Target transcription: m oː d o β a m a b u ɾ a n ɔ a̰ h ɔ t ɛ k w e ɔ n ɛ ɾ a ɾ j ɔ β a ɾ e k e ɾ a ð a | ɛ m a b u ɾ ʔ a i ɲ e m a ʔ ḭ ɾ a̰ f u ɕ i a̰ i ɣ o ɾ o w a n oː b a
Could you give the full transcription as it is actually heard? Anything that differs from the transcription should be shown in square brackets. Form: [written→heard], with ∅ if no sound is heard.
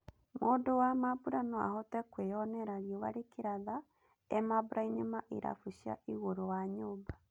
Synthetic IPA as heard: m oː d o [β→w] a m a b u ɾ a n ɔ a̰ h ɔ t ɛ k w e ɔ n ɛ ɾ a ɾ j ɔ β a ɾ e k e ɾ a ð a | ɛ m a b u ɾ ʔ a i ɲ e m a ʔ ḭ ɾ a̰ f u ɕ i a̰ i ɣ o ɾ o w a [n→ɲ] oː b a